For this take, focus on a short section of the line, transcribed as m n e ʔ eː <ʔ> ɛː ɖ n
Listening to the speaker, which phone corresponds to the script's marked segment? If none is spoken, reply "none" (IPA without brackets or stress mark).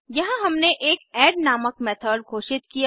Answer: k